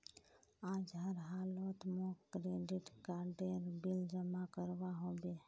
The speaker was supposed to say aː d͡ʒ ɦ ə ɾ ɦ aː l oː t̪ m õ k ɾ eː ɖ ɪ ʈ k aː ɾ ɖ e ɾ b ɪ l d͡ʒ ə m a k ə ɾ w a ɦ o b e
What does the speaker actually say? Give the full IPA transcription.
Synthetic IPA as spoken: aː d͡ʒ ɦ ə ɾ ɦ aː l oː t̪ m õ k ɾ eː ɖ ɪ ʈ k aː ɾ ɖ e ɾ b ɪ l d͡ʒ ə m a k ə ɾ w a ɦ o b e